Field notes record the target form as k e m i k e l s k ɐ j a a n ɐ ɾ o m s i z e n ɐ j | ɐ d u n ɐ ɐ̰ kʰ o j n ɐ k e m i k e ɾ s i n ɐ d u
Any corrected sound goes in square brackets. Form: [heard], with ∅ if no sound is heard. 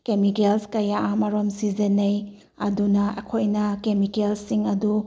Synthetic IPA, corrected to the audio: k e m i k e l s k ɐ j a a [m] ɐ ɾ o m s i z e n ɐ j | ɐ d u n ɐ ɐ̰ kʰ o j n ɐ k e m i k e [l] s i [ŋ] ɐ d u